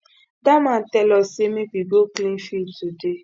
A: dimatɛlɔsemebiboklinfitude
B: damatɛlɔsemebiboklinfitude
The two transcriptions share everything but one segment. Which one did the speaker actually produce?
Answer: B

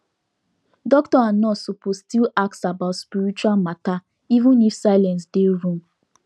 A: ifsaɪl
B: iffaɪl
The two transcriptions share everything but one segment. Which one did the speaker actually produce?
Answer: A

